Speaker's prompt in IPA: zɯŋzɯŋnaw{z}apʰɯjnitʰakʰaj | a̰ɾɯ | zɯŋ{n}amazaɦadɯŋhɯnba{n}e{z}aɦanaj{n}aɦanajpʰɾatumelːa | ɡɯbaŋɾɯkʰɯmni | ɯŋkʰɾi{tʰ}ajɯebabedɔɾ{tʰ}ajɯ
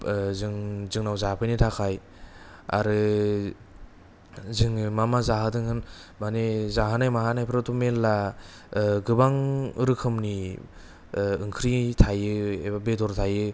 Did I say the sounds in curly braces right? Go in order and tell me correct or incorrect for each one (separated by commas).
correct, incorrect, correct, correct, incorrect, correct, correct